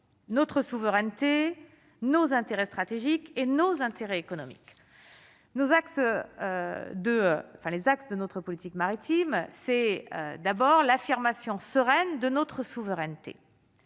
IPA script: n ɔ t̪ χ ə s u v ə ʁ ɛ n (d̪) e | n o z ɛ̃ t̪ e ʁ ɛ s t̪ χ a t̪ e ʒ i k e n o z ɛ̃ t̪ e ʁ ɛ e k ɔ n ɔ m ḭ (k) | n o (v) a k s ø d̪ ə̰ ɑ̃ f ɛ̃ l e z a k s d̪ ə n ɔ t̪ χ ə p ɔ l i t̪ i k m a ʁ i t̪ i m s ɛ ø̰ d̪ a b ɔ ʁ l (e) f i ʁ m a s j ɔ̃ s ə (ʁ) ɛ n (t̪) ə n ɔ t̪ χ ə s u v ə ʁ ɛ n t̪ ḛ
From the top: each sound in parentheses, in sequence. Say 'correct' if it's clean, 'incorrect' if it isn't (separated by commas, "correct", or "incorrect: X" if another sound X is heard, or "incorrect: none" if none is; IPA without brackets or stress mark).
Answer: incorrect: t̪, correct, incorrect: z, incorrect: a, correct, incorrect: d̪